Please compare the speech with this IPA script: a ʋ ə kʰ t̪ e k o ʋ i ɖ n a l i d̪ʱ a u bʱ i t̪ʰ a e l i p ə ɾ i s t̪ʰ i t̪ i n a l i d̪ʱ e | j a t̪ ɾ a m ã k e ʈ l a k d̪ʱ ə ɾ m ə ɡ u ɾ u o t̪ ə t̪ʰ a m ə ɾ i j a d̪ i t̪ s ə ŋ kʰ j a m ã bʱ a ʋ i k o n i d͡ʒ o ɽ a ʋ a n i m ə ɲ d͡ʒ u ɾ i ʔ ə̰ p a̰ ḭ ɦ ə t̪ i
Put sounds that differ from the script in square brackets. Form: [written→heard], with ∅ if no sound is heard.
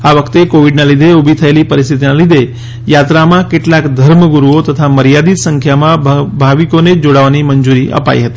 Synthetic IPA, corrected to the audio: a ʋ ə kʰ t̪ e k o ʋ i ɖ n a l i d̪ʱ [a→e] u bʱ i t̪ʰ [a→ə] e l i p ə ɾ i s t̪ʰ i t̪ i n a l i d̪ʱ e | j a t̪ ɾ a m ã k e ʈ l a k d̪ʱ ə ɾ m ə ɡ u ɾ u o t̪ ə t̪ʰ a m ə ɾ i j a d̪ i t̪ s ə ŋ kʰ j a m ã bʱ a ʋ i k o n [i→e] d͡ʒ o ɽ a ʋ a n i m ə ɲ d͡ʒ u ɾ i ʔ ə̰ p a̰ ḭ ɦ ə t̪ i